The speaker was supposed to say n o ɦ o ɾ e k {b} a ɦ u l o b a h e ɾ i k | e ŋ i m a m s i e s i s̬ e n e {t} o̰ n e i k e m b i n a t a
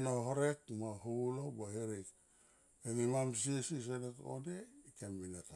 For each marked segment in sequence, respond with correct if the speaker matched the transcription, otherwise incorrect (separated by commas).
incorrect, correct